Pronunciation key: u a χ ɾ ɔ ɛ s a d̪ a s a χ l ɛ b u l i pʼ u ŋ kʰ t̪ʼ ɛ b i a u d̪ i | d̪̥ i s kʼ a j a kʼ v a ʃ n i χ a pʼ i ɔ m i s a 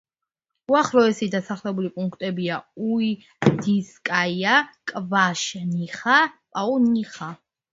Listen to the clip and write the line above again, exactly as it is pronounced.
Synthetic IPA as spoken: u a χ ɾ ɔ ɛ s i d̪ a s a χ l ɛ b u l i pʼ u ŋ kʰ t̪ʼ ɛ b i a u i | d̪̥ i s kʼ a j a kʼ v a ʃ n i χ a pʼ a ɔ n i χ a